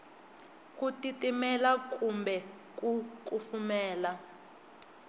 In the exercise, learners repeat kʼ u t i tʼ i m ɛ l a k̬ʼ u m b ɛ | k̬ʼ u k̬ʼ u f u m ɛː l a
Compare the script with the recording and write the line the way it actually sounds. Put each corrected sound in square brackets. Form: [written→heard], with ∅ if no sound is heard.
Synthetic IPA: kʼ u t i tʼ i m ɛ l a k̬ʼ u m b ɛ | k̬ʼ u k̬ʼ u f u m ɛː l a

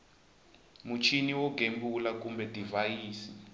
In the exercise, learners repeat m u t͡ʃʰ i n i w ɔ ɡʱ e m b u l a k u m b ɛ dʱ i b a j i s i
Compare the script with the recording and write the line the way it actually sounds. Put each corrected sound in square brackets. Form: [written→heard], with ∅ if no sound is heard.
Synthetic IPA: m u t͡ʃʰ i n i w ɔ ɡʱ e m b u l a k u m b ɛ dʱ i [b→v] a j [i→iː] s i

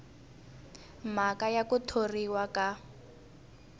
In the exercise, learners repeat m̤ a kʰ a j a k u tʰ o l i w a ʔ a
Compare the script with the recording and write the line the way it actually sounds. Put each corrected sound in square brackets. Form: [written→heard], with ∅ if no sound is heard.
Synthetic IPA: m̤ a [kʰ→k] a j a k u tʰ o [l→r] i w a [ʔ→k] a

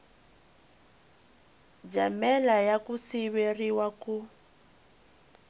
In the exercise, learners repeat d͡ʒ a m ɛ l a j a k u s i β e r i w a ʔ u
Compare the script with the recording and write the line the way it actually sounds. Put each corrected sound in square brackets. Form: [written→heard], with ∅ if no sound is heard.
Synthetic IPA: d͡ʒ a m ɛ l a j a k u s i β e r i w a [ʔ→k] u

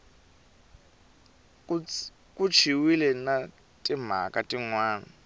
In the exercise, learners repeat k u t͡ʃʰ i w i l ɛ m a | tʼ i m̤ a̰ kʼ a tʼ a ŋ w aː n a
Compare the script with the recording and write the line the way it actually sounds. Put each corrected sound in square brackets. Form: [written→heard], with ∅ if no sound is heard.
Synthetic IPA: k u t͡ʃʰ i w i l ɛ [m→n] a | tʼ i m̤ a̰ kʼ a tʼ [a→i] ŋ w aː n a

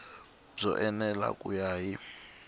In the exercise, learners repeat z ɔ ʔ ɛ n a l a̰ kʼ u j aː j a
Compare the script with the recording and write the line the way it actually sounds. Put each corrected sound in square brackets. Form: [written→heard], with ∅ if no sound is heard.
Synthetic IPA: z ɔ ʔ ɛ n [a→ɛ] l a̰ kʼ u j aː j [a→i]

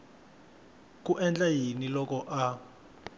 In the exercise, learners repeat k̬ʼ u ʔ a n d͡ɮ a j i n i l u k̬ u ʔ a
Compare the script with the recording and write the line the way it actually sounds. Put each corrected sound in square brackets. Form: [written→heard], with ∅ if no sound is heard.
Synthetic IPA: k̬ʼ u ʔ [a→ɛ] n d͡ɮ a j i n i l [u→ɔ] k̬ [u→ɔ] ʔ a

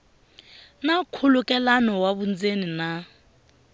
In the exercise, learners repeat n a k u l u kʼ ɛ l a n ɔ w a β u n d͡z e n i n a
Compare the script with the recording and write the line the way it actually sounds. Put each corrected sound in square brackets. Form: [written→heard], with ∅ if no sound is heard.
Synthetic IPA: n a [k→kʰ] u l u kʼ ɛ l a n ɔ w a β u n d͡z e n i n a

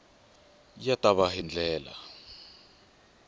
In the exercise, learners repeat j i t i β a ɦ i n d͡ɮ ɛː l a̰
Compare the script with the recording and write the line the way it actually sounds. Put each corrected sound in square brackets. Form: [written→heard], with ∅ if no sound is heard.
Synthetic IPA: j [i→a] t [i→a] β a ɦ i n d͡ɮ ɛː l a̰

